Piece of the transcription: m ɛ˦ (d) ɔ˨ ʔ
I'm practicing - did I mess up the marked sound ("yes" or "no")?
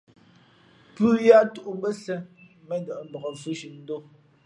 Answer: no